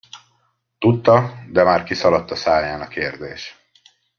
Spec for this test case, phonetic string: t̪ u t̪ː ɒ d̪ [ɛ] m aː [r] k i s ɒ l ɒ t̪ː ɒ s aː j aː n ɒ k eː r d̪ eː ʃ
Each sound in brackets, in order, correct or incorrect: correct, correct

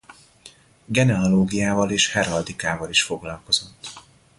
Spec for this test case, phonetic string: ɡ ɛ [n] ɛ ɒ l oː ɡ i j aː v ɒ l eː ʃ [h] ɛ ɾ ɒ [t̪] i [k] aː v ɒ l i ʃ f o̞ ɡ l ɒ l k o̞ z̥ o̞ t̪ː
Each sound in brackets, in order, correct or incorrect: correct, correct, incorrect: d̪, correct

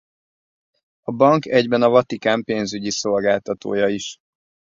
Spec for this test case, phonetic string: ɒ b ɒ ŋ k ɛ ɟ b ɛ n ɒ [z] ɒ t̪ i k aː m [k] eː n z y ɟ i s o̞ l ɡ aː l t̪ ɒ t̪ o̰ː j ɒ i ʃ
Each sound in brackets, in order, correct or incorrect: incorrect: v, incorrect: p

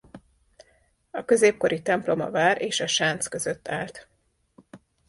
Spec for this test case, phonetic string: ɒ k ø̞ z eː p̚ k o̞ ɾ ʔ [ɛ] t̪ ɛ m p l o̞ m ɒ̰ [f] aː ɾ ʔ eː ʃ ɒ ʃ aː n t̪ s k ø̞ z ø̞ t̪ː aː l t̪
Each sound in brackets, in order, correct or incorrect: incorrect: i, incorrect: v

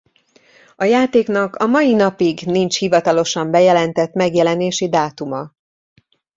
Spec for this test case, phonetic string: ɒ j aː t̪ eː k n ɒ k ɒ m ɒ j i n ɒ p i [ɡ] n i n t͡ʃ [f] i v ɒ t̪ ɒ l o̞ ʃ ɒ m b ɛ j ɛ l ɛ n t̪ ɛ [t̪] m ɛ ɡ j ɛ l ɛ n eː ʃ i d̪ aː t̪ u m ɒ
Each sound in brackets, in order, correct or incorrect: correct, incorrect: h, correct

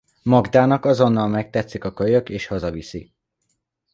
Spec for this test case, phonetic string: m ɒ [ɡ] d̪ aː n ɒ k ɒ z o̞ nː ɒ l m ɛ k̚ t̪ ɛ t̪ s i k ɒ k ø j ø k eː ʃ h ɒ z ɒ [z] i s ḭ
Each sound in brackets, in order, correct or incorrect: correct, incorrect: v

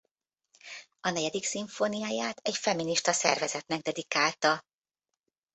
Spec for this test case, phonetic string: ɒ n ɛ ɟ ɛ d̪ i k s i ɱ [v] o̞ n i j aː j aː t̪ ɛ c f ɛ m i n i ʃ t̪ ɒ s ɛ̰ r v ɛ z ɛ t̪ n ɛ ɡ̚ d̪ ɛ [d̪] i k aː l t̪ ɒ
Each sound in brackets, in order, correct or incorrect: incorrect: f, correct

